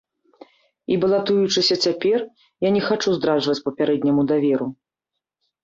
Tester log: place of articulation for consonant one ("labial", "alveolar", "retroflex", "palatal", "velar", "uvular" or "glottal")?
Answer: labial